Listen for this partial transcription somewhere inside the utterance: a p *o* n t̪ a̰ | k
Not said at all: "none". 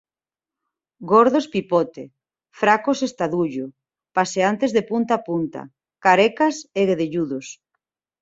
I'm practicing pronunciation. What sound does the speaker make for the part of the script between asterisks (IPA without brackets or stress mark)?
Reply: u